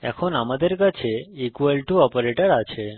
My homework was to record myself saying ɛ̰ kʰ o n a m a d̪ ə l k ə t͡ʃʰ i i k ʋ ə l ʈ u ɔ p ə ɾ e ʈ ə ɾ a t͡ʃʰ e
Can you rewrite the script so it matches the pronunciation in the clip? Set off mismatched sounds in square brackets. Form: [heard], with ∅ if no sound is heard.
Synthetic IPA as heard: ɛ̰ kʰ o n a m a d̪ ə [ɾ] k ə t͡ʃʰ [e] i k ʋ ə l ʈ u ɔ p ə ɾ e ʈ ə ɾ a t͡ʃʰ e